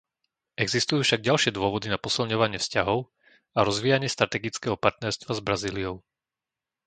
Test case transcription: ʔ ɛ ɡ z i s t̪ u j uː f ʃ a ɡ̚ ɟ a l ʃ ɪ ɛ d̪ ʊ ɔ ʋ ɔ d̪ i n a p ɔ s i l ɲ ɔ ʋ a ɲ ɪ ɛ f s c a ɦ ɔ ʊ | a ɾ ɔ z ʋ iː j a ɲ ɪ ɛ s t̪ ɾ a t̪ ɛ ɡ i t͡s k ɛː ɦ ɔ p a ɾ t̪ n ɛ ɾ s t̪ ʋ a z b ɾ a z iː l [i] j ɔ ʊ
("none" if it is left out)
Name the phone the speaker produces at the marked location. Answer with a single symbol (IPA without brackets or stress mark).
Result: i